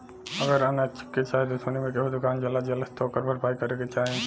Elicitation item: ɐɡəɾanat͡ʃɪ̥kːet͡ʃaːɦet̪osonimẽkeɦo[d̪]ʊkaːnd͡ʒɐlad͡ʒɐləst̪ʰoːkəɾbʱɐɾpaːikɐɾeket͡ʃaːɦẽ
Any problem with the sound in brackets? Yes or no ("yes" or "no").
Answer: no